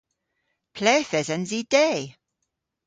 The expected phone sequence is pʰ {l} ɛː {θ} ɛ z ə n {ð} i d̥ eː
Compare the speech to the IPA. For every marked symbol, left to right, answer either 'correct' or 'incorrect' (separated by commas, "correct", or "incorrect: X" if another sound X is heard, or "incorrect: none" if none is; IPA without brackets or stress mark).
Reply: correct, correct, incorrect: z